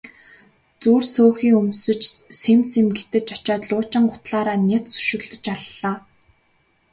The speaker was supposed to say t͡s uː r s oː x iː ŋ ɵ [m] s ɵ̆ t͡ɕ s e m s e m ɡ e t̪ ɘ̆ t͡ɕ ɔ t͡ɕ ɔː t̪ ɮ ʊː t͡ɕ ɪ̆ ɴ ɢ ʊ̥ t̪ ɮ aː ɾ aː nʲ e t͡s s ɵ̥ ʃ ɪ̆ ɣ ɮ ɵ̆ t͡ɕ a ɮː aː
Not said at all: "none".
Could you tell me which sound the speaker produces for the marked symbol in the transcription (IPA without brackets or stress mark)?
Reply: m